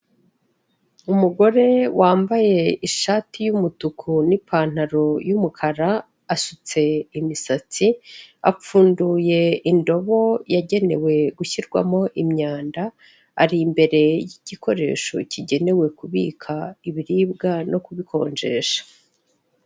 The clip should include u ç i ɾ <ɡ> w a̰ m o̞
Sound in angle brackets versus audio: correct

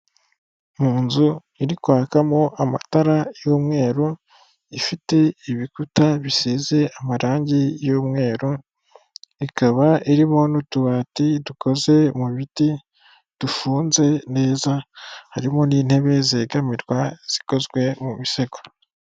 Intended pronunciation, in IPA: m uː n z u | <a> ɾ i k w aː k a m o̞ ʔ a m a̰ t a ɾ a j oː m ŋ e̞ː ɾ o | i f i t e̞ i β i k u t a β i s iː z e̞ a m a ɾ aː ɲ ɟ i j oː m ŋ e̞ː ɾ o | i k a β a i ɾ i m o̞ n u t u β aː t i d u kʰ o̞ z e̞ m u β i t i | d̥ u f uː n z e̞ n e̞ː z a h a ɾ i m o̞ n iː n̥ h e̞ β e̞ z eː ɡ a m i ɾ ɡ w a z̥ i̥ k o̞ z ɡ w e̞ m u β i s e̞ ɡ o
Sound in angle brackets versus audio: incorrect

